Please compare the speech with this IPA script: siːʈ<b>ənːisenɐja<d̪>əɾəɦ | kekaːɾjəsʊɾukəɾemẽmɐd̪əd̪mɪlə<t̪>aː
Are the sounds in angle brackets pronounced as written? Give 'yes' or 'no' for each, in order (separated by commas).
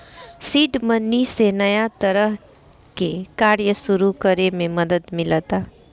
no, no, yes